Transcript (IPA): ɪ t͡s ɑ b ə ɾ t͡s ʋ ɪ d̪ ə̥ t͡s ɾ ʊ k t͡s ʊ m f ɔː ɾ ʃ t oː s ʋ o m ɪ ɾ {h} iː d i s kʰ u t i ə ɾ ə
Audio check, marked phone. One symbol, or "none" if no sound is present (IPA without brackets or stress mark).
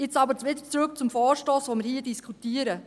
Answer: h